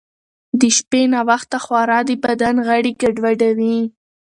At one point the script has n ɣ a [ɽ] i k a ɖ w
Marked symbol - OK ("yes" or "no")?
yes